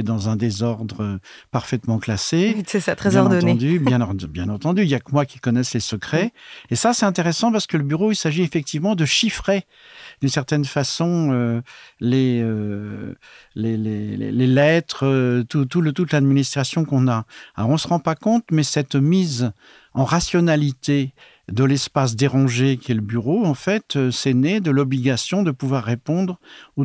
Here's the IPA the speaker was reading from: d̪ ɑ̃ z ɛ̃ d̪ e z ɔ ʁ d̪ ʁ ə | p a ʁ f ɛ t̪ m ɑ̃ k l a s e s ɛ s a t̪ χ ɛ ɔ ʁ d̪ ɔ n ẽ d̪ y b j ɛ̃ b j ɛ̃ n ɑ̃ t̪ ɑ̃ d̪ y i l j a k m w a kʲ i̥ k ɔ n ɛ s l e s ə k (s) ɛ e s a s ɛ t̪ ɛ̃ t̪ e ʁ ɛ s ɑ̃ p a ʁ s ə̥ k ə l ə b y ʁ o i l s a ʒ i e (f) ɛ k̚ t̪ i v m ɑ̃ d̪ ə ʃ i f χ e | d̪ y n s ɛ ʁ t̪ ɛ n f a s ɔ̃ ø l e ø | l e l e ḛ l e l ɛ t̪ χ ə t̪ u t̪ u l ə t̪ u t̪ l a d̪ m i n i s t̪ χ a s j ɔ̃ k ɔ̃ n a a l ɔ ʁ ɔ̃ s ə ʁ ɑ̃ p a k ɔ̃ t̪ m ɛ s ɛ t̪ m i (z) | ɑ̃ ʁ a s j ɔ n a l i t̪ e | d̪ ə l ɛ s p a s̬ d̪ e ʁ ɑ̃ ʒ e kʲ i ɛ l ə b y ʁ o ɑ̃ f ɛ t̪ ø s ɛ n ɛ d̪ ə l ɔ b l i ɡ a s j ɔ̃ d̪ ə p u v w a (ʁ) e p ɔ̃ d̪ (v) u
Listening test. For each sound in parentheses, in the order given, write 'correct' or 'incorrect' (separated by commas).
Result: incorrect, correct, correct, incorrect, incorrect